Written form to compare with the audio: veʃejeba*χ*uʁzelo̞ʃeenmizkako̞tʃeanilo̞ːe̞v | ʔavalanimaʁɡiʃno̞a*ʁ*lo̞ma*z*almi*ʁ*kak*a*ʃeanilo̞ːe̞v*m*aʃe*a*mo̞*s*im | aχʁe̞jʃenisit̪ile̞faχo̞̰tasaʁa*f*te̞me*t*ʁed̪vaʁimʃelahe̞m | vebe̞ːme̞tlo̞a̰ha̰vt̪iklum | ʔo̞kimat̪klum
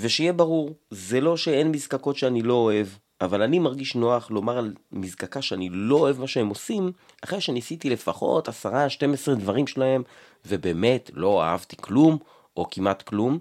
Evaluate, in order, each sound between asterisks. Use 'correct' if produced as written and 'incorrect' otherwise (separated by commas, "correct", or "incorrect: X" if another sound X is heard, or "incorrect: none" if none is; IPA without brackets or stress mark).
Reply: incorrect: ʁ, incorrect: χ, incorrect: ʁ, incorrect: z, correct, correct, incorrect: e, correct, incorrect: ʃ, incorrect: s